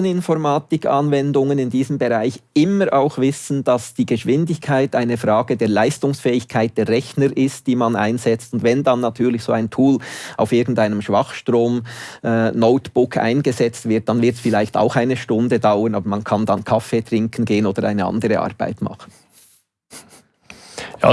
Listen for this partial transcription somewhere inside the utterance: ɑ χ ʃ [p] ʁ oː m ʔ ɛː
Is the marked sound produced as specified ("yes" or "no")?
no